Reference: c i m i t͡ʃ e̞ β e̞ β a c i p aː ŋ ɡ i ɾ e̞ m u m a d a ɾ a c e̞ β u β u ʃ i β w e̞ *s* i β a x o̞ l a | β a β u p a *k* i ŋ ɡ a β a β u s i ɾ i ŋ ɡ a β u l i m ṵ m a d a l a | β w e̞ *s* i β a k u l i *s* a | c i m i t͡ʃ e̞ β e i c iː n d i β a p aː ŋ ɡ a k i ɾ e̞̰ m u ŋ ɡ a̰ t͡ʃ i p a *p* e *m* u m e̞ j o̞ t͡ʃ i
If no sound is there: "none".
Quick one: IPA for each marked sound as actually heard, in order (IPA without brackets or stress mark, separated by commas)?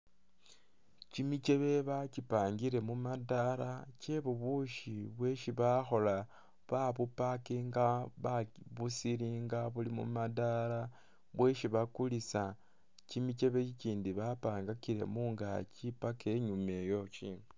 ʃ, k, ʃ, s, k, ɲ